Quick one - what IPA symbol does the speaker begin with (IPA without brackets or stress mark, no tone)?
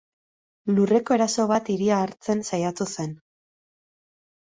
l